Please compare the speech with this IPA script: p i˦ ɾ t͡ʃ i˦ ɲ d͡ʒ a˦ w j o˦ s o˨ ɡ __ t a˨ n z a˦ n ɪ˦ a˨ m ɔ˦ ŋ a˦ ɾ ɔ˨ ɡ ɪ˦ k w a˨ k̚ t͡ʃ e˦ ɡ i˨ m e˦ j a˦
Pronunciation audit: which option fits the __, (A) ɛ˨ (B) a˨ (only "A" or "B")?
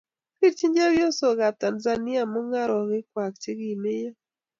B